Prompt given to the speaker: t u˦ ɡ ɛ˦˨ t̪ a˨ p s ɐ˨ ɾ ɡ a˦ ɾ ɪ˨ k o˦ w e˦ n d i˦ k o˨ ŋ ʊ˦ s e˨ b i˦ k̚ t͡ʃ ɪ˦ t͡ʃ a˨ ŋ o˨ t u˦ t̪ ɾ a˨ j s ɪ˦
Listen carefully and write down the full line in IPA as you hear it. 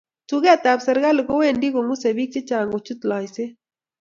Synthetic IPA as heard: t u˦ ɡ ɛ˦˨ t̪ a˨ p s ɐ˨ ɾ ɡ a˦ l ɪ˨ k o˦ w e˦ n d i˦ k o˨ ŋ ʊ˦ s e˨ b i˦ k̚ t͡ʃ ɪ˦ t͡ʃ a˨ ŋ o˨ t͡ʃ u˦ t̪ l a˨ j s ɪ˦